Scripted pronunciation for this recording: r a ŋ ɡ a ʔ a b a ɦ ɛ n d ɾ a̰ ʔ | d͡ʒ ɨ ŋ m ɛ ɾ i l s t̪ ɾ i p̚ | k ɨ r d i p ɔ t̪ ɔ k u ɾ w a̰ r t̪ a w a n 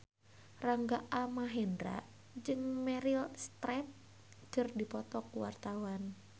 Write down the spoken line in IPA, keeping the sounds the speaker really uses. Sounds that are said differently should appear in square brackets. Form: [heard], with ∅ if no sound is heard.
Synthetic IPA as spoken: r a ŋ ɡ a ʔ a [m] a ɦ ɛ n d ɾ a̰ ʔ | d͡ʒ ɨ ŋ m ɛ ɾ i l s t̪ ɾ [ɛ] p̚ | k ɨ r d i p ɔ t̪ ɔ k u [∅] w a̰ r t̪ a w a n